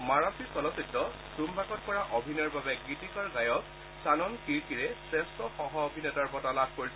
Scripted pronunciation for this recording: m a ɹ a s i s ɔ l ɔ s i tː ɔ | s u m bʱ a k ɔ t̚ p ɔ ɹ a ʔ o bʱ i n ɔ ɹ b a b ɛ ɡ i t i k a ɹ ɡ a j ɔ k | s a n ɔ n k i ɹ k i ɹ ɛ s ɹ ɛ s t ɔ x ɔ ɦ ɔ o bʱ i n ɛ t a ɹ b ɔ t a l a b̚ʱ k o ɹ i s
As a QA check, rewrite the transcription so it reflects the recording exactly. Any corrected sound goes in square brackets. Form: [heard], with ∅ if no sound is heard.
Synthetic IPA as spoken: m a ɹ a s i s ɔ l ɔ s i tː ɔ | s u m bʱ a k ɔ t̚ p ɔ ɹ a ʔ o bʱ i n ɔ ɹ b a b ɛ ɡ i t i k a ɹ ɡ a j ɔ k | s a n ɔ n k i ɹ k i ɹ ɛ s ɹ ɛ s t ɔ x ɔ ɦ ɔ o bʱ i n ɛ t a ɹ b ɔ t a l a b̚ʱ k o ɹ i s